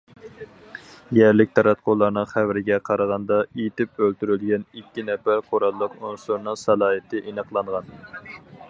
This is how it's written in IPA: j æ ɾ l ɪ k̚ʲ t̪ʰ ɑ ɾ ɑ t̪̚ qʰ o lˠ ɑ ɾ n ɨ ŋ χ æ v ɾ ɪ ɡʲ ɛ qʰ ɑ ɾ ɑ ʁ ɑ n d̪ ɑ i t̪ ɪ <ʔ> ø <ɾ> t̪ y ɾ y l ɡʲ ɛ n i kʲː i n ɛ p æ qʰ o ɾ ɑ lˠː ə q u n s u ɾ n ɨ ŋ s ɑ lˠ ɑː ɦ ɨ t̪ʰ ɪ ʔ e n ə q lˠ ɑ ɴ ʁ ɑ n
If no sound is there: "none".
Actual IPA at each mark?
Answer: p, l

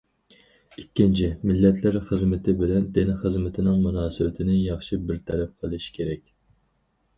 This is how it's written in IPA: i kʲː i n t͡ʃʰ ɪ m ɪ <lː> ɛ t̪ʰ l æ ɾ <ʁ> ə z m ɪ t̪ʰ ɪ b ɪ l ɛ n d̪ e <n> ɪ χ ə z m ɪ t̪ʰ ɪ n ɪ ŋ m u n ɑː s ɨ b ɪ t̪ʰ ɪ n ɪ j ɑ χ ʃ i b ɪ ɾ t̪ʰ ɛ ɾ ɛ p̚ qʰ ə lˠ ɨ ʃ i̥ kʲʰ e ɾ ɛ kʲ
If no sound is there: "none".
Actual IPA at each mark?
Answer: lː, χ, n

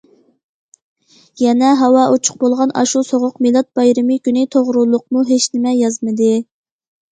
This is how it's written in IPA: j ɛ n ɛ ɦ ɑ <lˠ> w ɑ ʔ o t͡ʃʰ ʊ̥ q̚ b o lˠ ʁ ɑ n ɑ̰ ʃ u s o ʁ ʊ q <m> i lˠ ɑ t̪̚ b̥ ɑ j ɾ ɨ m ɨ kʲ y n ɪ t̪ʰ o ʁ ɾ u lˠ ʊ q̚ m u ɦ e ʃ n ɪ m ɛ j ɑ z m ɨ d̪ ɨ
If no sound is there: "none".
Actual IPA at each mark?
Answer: none, m

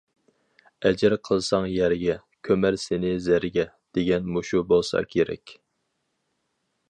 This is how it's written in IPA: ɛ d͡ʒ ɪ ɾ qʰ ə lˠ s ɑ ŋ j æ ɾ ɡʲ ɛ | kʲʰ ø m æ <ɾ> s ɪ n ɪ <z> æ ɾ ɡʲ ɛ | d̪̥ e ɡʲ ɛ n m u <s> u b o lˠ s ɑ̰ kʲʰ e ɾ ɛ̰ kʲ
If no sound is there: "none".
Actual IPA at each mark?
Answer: ɾ, z, ʃ

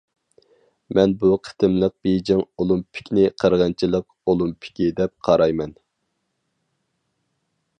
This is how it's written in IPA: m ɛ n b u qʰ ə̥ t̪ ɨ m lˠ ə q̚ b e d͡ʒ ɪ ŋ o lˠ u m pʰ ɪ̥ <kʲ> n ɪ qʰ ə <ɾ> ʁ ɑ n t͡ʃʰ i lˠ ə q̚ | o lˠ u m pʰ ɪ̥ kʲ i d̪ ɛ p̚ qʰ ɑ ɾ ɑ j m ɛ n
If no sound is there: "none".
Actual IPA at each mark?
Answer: kʲ, ɾ

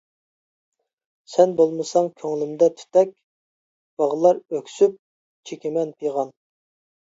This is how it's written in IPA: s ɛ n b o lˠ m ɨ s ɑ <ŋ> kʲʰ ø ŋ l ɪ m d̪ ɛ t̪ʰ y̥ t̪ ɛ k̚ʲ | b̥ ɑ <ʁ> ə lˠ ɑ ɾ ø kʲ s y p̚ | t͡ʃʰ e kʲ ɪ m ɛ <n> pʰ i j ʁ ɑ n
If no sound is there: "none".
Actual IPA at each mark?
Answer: ŋ, ʁ, n

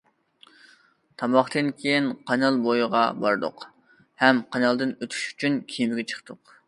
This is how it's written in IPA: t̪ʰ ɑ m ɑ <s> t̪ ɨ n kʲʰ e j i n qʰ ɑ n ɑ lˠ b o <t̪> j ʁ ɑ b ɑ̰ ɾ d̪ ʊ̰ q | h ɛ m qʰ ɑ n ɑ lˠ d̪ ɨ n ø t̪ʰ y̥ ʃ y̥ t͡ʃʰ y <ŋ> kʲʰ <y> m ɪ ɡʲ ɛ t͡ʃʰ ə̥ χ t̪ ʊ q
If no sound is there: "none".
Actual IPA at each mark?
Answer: χ, none, n, i

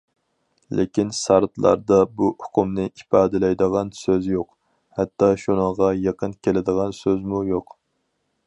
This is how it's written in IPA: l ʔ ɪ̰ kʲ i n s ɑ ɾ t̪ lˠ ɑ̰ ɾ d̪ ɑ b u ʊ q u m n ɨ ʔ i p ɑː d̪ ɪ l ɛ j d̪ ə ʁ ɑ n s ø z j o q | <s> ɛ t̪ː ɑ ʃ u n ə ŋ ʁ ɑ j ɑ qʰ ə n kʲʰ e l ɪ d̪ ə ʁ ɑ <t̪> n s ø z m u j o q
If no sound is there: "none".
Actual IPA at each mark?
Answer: h, none

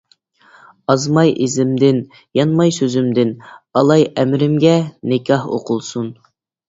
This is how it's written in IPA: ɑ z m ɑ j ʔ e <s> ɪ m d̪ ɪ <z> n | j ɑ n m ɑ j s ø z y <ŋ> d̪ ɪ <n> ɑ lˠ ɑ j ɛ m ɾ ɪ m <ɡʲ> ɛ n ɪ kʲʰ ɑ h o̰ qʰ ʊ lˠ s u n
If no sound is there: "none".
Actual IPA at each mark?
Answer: z, none, m, n, ɡʲ

